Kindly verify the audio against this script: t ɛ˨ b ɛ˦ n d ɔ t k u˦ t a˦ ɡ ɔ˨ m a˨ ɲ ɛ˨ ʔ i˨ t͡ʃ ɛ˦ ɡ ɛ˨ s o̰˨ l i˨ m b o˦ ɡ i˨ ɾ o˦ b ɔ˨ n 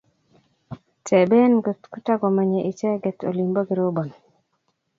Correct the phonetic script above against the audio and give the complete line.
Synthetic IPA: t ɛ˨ b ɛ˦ n ɡ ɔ t k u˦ t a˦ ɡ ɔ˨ m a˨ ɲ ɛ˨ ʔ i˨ t͡ʃ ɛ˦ ɡ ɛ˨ t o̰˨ l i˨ m b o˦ ɡ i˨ ɾ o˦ b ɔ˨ n